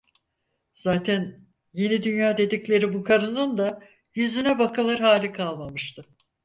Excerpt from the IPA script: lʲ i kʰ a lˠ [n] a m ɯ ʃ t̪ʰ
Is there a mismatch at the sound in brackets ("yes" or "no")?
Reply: yes